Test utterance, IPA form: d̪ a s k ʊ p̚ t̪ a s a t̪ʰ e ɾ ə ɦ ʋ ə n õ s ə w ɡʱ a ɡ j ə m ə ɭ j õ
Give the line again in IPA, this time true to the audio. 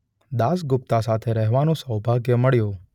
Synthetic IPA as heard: d̪ a s ɡ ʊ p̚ t̪ a s a t̪ʰ e ɾ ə ɦ ʋ a n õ s ə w bʱ a ɡ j ə m ə ɭ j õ